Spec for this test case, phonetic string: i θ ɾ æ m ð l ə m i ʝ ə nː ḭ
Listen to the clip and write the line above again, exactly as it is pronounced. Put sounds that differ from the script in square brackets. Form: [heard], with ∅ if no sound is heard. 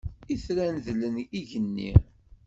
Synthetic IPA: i θ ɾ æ [n] ð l ə [n] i ʝ ə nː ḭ